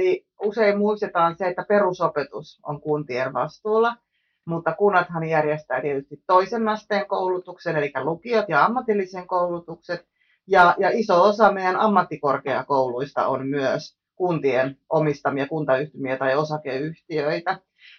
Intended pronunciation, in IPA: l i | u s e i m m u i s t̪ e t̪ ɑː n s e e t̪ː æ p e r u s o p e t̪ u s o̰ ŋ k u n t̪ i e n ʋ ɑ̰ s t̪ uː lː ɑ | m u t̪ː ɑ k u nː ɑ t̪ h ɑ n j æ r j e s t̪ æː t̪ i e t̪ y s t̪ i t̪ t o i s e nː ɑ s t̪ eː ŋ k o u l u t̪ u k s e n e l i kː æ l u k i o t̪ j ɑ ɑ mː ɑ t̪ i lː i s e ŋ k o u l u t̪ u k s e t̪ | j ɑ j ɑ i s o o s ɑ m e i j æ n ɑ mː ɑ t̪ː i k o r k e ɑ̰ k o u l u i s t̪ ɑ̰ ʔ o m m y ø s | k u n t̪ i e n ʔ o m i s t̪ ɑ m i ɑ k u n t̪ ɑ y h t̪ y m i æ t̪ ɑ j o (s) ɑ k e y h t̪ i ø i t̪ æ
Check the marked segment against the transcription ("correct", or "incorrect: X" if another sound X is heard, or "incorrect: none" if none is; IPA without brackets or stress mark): correct